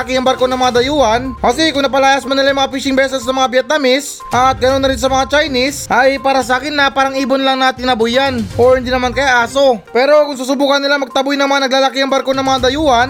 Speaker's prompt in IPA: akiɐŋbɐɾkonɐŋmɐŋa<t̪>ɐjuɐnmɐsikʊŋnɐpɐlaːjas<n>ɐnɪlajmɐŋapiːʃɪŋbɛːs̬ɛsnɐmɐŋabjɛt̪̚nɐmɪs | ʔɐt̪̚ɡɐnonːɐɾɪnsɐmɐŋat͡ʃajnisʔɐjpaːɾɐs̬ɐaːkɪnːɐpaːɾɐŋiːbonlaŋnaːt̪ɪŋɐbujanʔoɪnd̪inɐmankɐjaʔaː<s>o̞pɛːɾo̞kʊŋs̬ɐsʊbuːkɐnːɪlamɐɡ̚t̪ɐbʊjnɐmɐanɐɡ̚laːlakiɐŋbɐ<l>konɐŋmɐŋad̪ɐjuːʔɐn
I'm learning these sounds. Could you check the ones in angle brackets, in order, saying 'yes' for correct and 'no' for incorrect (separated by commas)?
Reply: no, no, yes, no